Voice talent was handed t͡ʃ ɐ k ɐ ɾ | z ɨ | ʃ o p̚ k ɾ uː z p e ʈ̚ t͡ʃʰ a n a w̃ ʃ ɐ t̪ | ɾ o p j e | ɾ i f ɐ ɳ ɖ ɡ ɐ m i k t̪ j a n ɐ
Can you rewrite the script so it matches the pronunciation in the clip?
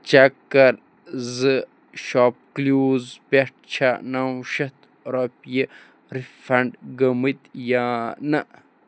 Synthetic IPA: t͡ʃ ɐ k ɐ ɾ | z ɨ | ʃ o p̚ k l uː z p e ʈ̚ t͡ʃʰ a n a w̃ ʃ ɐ t̪ | ɾ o p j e | ɾ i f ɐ ɳ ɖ ɡ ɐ m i t̪ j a n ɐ